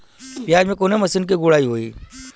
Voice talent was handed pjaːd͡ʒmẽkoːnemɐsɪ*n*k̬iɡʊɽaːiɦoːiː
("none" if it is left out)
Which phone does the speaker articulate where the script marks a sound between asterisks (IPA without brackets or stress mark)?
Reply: n